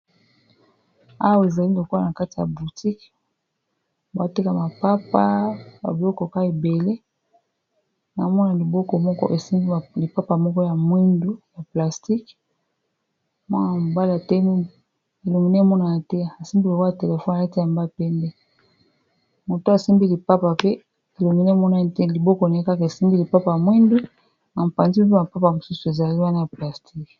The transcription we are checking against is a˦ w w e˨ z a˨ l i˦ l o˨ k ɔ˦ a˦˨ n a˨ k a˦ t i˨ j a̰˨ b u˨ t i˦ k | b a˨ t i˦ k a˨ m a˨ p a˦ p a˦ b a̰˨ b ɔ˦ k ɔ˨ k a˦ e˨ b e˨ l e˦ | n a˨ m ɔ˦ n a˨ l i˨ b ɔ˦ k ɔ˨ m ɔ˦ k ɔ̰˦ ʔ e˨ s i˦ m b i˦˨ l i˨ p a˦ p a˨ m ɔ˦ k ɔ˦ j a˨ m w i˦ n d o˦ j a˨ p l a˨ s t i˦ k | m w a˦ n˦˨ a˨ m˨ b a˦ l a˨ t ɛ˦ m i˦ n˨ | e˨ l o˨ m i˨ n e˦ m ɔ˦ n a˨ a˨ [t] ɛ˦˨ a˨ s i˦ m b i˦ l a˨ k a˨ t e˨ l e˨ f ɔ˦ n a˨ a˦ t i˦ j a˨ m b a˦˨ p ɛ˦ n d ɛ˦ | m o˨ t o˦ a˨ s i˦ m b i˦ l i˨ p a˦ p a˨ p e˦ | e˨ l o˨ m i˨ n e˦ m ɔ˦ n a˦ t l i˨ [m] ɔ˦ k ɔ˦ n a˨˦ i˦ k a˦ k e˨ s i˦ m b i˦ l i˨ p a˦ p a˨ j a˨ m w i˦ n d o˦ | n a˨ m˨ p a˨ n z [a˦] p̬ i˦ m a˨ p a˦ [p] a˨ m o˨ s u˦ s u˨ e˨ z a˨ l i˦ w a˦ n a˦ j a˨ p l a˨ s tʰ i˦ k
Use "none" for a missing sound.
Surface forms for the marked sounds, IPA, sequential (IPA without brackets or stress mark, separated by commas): t, b, i˦, p